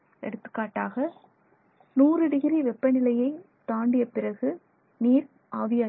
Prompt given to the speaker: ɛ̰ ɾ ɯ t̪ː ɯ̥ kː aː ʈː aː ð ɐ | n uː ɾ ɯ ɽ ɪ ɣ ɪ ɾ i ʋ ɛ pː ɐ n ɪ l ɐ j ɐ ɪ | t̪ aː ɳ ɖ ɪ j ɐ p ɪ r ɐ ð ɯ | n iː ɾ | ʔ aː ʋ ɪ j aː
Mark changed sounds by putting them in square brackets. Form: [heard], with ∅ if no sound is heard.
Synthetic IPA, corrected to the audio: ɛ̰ [ɽ] ɯ t̪ː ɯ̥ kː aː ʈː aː [ɣ] ɐ | n uː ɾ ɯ ɽ ɪ ɣ ɪ ɾ i ʋ ɛ pː ɐ n ɪ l ɐ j ɐ ɪ | t̪ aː ɳ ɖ ɪ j ɐ p ɪ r ɐ [ɣ] ɯ | n iː ɾ | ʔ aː ʋ ɪ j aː